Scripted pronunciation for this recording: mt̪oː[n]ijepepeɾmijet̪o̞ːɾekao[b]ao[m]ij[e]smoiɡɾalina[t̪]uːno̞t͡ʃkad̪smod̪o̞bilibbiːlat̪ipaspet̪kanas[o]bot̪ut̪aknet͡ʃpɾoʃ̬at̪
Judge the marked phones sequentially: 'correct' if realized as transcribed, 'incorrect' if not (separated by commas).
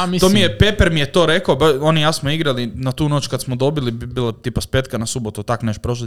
incorrect, correct, incorrect, incorrect, correct, incorrect